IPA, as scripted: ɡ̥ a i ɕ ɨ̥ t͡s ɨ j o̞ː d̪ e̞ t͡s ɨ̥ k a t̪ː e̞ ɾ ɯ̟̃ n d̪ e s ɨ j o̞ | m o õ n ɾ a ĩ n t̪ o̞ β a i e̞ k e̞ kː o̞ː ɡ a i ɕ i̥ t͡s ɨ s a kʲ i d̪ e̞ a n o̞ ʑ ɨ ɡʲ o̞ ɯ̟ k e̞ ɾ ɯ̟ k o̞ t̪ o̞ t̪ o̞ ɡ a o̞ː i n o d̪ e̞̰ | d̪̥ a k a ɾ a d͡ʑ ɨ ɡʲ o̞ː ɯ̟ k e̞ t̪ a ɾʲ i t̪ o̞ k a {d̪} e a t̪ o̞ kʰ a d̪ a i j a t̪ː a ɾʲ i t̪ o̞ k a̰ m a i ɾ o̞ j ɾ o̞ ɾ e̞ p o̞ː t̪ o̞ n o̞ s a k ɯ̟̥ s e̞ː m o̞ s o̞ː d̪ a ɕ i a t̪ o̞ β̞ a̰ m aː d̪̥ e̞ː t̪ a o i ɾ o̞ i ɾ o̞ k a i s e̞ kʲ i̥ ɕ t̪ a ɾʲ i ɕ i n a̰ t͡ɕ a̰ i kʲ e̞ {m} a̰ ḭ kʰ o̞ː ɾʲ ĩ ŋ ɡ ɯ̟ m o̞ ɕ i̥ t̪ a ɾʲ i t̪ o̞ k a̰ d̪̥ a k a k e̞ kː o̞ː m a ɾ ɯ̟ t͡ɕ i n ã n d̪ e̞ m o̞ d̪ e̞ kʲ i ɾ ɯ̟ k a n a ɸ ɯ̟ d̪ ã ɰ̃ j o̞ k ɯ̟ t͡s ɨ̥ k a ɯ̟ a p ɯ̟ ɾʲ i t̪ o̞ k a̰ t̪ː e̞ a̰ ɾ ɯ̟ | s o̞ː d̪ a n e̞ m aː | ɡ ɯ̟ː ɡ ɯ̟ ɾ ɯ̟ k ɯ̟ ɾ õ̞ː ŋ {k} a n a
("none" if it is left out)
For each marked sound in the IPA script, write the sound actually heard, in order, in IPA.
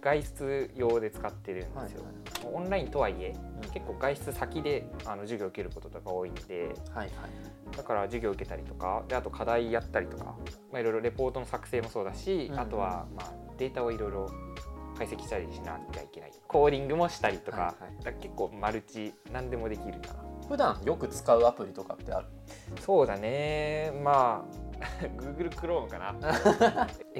d̪, n, k

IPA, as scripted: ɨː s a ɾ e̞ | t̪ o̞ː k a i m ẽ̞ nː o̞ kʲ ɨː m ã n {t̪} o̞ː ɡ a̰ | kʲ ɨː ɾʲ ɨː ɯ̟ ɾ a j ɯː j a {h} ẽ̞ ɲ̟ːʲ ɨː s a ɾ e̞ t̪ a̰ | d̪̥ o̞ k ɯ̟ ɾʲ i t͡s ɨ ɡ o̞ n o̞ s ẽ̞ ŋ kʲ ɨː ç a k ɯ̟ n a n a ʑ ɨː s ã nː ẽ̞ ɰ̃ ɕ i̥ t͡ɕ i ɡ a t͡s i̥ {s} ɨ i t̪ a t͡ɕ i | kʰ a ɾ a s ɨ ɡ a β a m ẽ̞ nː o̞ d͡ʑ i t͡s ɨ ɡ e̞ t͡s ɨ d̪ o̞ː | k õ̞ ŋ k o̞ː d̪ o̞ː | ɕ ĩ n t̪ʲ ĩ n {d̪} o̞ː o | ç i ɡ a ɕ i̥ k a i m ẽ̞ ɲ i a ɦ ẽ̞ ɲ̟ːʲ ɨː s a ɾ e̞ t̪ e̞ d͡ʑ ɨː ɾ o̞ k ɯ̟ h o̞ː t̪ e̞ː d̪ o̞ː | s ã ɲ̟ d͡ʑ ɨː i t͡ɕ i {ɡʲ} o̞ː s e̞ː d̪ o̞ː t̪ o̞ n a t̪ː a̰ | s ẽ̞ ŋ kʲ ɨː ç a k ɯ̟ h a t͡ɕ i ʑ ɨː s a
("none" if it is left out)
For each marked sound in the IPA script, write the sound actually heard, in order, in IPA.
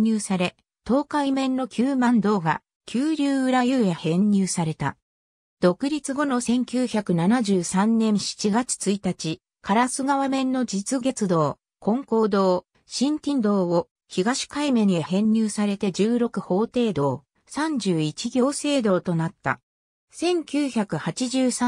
d̪, h, t͡s, d̪, ɡʲ

